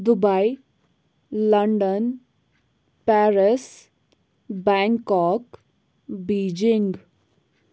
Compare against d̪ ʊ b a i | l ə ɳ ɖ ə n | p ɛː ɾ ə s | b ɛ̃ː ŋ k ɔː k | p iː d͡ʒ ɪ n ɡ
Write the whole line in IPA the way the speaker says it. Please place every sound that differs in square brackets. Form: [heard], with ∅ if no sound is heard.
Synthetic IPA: d̪ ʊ b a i | l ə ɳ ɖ ə n | p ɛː ɾ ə s | b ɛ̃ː ŋ k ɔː k | [b] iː d͡ʒ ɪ [ŋ] ɡ

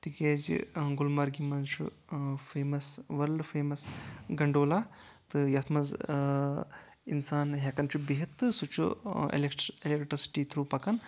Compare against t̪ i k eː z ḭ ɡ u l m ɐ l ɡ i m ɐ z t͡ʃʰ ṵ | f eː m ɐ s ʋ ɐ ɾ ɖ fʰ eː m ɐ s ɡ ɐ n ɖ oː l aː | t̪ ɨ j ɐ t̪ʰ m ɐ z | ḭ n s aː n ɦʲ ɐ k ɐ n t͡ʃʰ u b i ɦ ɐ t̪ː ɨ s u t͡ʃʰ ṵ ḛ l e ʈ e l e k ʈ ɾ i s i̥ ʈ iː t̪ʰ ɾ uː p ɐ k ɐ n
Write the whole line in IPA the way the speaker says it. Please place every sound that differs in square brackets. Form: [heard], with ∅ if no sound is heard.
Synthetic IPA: t̪ i k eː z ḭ ɡ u l m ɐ [ɾ] ɡ i m ɐ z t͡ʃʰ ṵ | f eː m ɐ s ʋ ɐ ɾ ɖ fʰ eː m ɐ s ɡ ɐ [ɳ] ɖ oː l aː | t̪ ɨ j ɐ t̪ʰ m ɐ z | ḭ n s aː n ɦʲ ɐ k ɐ n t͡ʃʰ u b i ɦ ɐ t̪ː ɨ s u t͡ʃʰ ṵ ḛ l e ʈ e l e k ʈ ɾ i s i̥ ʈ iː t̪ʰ ɾ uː p ɐ k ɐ n

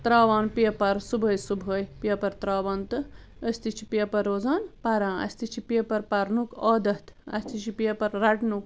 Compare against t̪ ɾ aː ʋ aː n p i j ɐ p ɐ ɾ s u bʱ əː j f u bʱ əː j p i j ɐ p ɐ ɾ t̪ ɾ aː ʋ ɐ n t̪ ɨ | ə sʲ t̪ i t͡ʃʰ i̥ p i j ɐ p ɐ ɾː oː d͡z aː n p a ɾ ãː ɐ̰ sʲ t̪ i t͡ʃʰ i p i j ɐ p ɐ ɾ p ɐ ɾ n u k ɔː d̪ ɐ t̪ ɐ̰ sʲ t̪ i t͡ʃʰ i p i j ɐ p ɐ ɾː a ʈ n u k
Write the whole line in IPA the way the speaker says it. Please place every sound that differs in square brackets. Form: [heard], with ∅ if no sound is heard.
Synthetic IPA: t̪ ɾ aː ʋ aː n p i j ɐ p ɐ ɾ s u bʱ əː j [s] u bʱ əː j p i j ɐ p ɐ ɾ t̪ ɾ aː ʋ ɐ n t̪ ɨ | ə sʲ t̪ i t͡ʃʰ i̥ p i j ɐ p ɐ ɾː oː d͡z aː n p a ɾ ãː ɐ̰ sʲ t̪ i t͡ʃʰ i p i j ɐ p ɐ ɾ p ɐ ɾ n u k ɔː d̪ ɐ t̪ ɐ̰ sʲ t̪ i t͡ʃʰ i p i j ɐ p ɐ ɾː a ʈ n u k

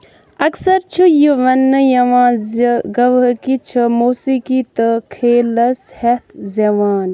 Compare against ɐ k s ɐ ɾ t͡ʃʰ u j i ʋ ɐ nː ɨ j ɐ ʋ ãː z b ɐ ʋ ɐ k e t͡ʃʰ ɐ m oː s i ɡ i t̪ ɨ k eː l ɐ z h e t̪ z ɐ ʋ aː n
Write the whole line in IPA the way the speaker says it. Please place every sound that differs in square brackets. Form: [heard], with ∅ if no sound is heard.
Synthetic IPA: ɐ k s ɐ ɾ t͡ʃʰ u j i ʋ ɐ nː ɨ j ɐ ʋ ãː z [ɡ] ɐ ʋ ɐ k [i] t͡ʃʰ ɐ m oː s i [k] i t̪ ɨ [kʰ] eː l ɐ [s] h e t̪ z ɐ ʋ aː n

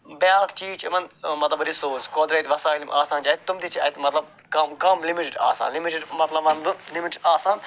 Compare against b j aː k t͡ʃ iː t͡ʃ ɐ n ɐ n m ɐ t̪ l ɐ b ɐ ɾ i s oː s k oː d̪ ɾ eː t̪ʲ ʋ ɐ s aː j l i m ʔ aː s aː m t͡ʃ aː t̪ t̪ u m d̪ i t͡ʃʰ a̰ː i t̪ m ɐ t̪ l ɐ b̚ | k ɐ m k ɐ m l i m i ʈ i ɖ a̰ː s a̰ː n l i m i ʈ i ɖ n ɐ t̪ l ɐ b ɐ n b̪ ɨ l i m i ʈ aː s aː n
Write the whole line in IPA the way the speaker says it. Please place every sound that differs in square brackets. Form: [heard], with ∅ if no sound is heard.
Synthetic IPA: b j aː k t͡ʃ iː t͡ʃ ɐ [m] ɐ n m ɐ t̪ l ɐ b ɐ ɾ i s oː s k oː d̪ ɾ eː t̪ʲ ʋ ɐ s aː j l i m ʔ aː s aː [n] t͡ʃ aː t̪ t̪ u m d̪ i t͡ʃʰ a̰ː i t̪ m ɐ t̪ l ɐ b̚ | k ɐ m k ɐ m l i m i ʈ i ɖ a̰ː s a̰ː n l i m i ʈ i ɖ [m] ɐ t̪ l ɐ b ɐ n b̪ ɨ l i m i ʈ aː s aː n

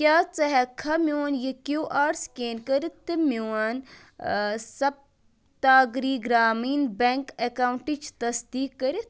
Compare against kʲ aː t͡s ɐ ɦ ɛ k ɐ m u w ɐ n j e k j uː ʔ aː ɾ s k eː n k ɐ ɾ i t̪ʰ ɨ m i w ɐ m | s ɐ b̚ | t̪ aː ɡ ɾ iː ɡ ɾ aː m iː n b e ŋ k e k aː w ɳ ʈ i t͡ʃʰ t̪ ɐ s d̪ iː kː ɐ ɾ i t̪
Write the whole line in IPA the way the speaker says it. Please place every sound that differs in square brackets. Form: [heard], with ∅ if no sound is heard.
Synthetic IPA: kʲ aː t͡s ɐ ɦ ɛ [kʰ] ɐ m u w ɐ n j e k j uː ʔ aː ɾ s k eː n k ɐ ɾ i [t̪] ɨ m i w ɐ [n] | s ɐ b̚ | t̪ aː ɡ ɾ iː ɡ ɾ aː m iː n b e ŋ k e k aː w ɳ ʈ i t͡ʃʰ t̪ ɐ s d̪ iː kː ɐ ɾ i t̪

